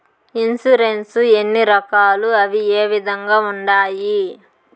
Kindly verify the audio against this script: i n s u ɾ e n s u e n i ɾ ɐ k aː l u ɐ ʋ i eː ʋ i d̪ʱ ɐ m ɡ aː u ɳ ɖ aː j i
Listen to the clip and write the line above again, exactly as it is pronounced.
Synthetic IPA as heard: i n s u ɾ e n s u e nː i ɾ ɐ k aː l u ɐ ʋ i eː ʋ i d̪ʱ ɐ ŋ ɡ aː u ɳ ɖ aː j i